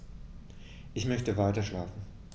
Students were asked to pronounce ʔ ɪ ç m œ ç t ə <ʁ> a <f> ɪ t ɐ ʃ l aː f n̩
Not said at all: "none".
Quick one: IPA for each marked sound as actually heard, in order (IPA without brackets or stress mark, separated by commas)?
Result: v, none